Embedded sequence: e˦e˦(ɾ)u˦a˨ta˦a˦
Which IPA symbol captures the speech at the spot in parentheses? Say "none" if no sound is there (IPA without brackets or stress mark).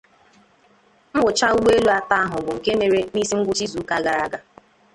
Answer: l